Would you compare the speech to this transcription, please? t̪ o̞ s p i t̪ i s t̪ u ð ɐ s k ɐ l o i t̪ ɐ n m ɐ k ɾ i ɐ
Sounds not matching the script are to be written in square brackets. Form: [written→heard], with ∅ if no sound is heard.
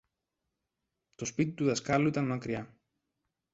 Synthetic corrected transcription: t̪ o̞ s p i t̪ i [s→∅] t̪ u ð ɐ s k ɐ l [o→u] i t̪ ɐ n m ɐ k ɾ i ɐ